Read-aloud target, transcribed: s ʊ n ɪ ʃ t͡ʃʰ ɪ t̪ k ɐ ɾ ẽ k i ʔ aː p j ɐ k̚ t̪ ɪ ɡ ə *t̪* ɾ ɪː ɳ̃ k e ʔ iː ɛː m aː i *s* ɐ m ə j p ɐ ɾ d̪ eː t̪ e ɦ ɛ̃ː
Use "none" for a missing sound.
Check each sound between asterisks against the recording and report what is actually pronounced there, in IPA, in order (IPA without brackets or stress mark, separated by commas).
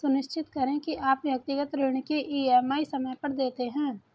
t̪, s